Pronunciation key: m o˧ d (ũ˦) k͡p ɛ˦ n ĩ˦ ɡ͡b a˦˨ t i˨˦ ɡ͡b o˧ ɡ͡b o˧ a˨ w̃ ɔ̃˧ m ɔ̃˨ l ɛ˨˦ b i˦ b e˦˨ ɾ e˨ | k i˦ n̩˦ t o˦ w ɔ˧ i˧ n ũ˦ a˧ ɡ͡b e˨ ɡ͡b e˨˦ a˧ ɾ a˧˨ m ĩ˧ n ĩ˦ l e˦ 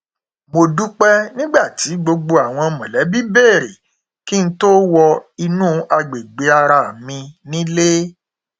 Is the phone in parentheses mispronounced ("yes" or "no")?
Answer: yes